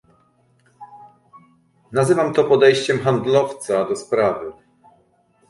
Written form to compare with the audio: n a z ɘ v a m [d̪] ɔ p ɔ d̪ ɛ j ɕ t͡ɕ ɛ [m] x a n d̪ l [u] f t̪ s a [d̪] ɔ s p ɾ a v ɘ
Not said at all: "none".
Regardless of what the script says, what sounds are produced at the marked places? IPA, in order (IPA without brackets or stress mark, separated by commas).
t̪, m, ɔ, d̪